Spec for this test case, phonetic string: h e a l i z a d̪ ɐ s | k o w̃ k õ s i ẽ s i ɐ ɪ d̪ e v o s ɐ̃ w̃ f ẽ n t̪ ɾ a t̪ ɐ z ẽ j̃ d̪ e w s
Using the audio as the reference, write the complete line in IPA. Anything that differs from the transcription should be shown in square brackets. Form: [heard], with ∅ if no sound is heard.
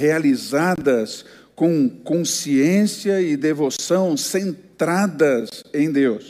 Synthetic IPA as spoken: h e a l i z a d̪ ɐ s | k [õ] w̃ k õ s i ẽ s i ɐ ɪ d̪ e v o s ɐ̃ w̃ [s] ẽ n t̪ ɾ a [d̪] ɐ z ẽ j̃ d̪ e w s